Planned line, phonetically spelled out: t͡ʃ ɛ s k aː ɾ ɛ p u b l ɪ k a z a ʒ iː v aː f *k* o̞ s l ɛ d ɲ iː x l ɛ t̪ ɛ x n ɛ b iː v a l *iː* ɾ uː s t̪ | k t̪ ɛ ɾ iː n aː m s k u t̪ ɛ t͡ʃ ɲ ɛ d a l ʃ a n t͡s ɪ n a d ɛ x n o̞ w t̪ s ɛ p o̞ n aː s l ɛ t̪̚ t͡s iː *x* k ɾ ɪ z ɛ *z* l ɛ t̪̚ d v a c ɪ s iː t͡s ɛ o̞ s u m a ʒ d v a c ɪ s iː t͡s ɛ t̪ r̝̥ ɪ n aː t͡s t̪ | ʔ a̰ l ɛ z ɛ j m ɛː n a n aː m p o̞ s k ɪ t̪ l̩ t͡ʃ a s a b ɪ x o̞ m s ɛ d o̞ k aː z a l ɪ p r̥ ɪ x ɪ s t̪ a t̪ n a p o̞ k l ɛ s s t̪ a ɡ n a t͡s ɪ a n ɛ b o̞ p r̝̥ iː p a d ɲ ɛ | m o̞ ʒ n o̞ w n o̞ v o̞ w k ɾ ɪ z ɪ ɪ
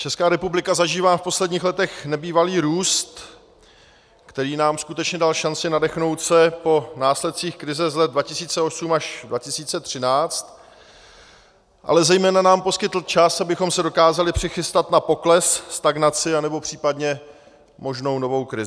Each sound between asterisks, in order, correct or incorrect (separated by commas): incorrect, correct, correct, correct